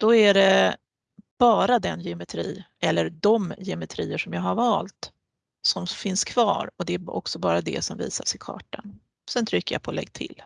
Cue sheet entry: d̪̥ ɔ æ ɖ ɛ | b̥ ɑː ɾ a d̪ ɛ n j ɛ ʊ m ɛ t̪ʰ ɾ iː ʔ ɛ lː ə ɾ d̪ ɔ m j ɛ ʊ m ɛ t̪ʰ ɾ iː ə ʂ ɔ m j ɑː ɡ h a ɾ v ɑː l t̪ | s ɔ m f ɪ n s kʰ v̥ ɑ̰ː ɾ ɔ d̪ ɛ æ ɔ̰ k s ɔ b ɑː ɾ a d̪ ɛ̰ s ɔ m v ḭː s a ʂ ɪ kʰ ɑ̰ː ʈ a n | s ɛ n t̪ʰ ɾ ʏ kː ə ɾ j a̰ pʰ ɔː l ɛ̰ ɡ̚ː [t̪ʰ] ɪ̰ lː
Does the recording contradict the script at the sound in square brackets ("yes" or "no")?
no